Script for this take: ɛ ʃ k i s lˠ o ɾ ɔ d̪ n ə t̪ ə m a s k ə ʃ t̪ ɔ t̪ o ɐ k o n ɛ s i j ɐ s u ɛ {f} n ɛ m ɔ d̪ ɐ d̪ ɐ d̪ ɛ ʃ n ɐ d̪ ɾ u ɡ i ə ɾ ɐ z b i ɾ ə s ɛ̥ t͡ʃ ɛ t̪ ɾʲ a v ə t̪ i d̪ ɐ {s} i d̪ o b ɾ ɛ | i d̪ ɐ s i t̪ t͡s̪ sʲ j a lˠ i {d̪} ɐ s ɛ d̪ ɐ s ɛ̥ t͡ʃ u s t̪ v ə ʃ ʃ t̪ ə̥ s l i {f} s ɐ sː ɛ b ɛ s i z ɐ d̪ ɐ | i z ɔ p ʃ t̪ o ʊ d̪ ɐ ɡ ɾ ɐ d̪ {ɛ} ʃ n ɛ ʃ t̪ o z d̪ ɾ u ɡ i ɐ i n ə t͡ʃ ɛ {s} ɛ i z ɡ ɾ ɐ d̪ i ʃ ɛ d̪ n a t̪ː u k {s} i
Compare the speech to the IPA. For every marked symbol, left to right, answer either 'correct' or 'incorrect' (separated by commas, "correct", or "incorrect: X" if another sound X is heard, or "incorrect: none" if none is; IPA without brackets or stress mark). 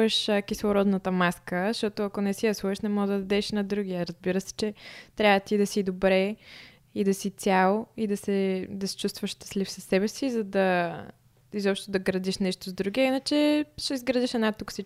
incorrect: ʃ, correct, correct, correct, incorrect: i, incorrect: ʃ, correct